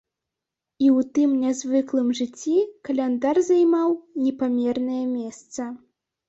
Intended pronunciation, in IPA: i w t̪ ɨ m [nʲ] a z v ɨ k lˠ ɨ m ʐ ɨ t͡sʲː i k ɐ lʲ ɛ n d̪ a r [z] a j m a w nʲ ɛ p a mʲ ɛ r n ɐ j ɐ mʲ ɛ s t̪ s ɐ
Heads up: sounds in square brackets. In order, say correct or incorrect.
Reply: correct, correct

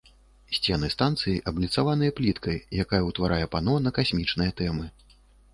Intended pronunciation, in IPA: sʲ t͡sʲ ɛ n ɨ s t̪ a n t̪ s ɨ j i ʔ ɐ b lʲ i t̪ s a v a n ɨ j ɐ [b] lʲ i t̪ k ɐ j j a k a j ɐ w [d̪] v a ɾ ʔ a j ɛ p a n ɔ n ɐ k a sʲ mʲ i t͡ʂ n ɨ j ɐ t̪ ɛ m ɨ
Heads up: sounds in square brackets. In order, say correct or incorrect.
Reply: incorrect, incorrect

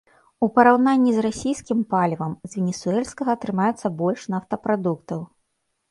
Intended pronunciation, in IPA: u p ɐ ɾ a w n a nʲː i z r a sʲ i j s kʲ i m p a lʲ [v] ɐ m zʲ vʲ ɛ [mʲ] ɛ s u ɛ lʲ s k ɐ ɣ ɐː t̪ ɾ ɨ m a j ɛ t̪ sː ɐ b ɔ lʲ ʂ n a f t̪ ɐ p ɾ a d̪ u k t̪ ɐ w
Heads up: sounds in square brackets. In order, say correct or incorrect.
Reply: correct, incorrect

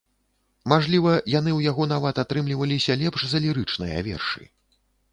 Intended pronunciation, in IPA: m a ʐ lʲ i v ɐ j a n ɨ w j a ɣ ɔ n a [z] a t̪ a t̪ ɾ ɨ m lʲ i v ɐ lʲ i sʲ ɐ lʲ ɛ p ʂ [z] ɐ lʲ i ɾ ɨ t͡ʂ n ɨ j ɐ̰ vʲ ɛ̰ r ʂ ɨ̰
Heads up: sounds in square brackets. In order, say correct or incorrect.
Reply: incorrect, correct

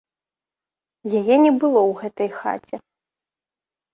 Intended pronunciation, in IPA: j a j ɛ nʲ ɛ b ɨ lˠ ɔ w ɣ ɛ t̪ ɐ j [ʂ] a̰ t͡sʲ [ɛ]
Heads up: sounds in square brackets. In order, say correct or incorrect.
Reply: incorrect, correct

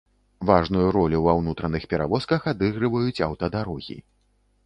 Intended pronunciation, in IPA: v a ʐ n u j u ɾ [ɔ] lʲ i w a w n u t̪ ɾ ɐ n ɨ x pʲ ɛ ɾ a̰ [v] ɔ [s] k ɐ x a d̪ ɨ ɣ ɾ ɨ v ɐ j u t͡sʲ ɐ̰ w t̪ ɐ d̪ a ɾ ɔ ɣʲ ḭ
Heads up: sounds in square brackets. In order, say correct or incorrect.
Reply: correct, correct, correct

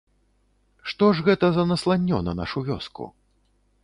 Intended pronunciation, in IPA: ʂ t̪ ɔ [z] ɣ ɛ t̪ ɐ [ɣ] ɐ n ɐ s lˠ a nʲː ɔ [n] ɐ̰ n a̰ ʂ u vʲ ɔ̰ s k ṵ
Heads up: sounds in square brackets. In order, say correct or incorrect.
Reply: incorrect, incorrect, correct

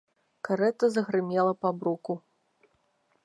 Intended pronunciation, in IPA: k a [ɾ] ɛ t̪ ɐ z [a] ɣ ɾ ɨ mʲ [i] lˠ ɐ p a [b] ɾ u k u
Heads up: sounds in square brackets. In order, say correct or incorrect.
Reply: correct, incorrect, incorrect, correct

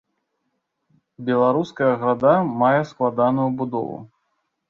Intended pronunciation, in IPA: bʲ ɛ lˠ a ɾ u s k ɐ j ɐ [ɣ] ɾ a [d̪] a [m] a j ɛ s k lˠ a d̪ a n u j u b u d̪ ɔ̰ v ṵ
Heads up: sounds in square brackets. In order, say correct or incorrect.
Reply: correct, correct, correct

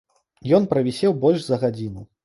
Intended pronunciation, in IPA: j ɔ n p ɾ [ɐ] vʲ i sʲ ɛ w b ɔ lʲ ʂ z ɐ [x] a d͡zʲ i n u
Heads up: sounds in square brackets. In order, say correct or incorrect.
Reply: correct, incorrect

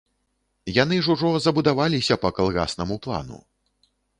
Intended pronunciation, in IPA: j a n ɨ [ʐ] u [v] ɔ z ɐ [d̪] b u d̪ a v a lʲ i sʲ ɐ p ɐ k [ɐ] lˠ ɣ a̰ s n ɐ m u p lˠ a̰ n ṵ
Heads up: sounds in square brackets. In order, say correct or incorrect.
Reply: correct, incorrect, incorrect, incorrect

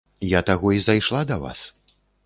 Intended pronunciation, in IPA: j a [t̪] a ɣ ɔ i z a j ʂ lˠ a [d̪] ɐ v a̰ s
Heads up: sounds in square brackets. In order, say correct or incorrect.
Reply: correct, correct

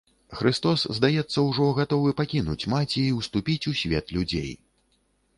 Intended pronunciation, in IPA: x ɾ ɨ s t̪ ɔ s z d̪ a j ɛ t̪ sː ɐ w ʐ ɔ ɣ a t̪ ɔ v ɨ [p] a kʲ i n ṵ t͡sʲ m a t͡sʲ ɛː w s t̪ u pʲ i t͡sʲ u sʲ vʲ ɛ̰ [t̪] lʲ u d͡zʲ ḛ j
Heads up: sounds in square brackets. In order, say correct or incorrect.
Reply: correct, correct

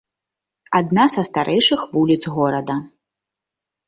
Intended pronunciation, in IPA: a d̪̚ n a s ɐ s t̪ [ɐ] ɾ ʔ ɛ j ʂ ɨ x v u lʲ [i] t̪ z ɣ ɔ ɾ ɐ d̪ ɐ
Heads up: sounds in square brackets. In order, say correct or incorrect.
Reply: incorrect, correct

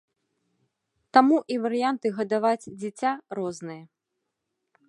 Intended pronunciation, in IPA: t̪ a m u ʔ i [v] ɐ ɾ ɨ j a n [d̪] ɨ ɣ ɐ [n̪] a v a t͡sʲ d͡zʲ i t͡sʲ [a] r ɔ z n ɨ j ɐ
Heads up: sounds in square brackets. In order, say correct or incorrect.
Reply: correct, incorrect, incorrect, correct

